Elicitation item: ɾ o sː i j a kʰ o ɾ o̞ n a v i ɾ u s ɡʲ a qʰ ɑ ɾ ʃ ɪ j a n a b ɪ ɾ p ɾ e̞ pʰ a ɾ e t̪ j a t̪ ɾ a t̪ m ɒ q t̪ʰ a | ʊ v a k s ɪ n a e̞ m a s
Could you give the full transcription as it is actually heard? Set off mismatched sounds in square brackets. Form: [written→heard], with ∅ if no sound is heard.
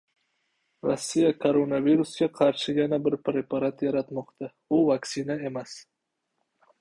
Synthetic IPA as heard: ɾ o sː i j a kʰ o ɾ o̞ n a v i ɾ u s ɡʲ a qʰ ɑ ɾ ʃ ɪ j a n a b ɪ ɾ p ɾ e̞ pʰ a ɾ [e→a] t̪ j a [t̪→∅] ɾ a t̪ m ɒ q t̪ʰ a | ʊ v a k s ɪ n a e̞ m a s